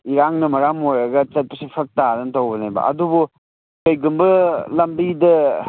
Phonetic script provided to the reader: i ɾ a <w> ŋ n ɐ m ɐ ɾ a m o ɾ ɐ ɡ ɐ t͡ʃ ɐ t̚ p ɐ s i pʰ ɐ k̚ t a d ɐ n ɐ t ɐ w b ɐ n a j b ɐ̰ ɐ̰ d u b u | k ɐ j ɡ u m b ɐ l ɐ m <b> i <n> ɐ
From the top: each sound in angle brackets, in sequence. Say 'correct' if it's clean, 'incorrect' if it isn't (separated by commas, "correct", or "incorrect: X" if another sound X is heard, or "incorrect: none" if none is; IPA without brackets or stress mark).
incorrect: none, correct, incorrect: d